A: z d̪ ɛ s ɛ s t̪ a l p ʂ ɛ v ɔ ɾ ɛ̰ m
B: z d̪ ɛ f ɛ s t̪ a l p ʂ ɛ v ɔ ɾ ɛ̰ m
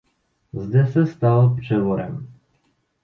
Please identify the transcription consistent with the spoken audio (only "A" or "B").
A